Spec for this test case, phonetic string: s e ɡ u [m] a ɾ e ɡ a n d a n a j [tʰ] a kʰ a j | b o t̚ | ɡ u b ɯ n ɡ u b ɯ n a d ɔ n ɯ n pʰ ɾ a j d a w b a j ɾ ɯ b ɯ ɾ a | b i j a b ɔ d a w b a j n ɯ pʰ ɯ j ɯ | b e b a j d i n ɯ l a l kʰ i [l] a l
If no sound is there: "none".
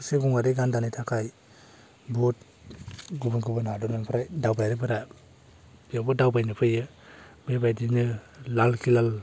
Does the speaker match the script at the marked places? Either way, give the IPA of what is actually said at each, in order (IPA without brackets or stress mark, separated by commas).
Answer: ŋ, tʰ, l